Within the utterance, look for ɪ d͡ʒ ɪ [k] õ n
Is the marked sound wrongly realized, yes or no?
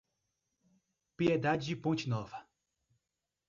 yes